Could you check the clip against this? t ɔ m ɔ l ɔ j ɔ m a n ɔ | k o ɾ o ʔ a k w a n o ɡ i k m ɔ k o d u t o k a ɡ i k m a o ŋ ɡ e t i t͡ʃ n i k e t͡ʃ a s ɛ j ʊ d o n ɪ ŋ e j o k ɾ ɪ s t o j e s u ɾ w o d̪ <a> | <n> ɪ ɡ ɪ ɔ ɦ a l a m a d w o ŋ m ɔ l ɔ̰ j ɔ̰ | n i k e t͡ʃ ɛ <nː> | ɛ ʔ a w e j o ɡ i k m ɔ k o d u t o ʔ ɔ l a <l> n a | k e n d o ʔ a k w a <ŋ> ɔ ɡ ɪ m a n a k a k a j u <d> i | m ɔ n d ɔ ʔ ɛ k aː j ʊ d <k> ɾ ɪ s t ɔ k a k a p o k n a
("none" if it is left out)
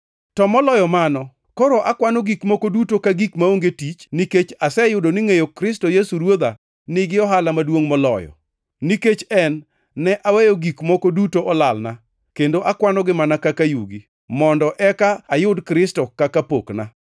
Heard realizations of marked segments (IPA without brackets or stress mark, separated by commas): a, n, nː, l, n, ɡ, k